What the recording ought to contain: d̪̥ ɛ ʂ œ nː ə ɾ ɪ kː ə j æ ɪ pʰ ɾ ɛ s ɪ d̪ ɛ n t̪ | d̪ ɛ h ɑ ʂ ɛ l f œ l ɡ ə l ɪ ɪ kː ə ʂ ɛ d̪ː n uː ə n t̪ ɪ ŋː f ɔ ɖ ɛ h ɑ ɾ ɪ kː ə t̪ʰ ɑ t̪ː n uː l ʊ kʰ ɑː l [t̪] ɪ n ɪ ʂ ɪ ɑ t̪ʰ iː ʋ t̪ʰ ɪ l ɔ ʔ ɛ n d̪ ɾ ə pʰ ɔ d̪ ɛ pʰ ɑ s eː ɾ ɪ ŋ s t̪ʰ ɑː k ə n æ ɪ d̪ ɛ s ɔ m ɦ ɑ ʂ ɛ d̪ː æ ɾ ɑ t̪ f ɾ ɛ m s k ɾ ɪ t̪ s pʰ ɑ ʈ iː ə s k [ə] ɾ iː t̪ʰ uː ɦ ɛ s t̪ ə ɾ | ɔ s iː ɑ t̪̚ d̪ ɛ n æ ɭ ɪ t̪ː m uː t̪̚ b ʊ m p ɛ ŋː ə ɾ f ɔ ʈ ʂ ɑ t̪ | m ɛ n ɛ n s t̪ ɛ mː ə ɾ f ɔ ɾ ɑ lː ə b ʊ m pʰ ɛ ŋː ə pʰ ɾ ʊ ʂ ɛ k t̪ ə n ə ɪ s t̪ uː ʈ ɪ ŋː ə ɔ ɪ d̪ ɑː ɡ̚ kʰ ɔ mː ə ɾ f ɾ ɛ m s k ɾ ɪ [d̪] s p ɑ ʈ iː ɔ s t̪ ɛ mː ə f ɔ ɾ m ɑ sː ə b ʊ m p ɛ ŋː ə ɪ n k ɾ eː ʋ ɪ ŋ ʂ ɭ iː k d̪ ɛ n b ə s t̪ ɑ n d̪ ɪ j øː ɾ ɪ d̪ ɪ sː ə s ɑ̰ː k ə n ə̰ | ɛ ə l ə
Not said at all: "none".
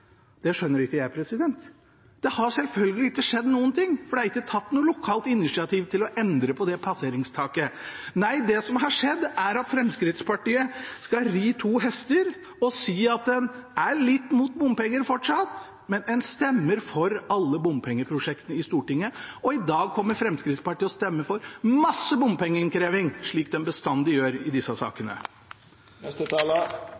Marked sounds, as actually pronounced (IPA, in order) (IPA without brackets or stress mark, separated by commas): t̪, ɑ, t̪